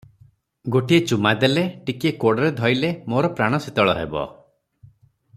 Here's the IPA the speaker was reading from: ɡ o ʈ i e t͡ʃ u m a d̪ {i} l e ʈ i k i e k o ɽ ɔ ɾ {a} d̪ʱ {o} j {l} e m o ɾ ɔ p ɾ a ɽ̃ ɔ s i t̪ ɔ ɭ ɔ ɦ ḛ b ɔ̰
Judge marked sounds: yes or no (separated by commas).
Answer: no, no, no, yes